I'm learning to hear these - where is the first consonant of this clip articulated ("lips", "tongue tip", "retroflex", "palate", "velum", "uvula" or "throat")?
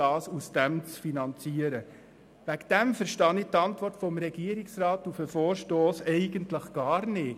tongue tip